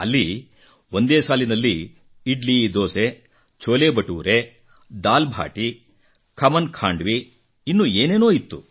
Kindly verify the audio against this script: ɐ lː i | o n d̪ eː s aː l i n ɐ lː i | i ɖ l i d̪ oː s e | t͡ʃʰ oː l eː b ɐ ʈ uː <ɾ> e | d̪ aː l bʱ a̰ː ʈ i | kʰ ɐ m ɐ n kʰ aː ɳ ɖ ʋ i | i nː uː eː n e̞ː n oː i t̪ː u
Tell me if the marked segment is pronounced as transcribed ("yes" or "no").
yes